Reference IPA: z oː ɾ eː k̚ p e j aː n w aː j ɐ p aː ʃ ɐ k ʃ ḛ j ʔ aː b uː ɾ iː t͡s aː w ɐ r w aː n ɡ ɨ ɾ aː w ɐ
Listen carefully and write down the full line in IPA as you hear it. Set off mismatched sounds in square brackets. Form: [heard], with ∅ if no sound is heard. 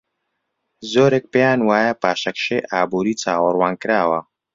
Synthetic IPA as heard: z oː ɾ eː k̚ p e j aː n w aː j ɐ p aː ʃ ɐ k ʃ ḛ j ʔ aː b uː ɾ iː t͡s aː w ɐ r w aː n [k] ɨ ɾ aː w ɐ

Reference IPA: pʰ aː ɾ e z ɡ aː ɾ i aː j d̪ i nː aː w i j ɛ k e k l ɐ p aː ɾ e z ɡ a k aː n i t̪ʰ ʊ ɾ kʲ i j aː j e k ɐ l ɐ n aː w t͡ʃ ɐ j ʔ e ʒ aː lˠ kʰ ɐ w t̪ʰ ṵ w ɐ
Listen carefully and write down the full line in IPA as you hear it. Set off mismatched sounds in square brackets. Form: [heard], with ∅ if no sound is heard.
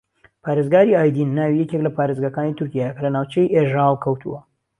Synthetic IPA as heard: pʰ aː ɾ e z ɡ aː ɾ i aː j d̪ i nː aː w i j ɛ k e k l ɐ p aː ɾ e z ɡ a k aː n i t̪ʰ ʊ ɾ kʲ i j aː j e k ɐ l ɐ n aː w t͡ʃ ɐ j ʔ e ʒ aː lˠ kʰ ɐ w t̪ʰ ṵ w ɐ

